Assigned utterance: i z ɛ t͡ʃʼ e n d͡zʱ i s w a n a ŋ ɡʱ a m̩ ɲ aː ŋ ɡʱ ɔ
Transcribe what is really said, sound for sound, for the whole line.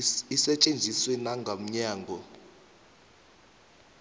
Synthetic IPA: i s ɛ t͡ʃʼ e n d͡zʱ i s w ɛ n a ŋ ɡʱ a m̩ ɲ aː ŋ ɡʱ ɔ